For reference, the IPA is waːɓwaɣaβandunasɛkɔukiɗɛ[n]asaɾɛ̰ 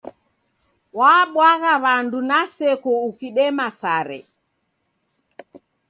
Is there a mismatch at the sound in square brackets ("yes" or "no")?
yes